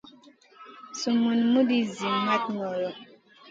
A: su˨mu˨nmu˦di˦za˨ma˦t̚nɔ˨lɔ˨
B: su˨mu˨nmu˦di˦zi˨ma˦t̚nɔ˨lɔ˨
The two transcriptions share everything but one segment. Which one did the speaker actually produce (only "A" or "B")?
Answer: B